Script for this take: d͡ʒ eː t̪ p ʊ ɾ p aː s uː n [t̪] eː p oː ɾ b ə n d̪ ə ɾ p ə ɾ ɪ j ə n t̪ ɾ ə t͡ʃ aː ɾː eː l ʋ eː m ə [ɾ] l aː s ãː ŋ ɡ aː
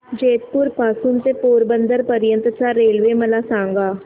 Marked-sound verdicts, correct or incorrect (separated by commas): correct, incorrect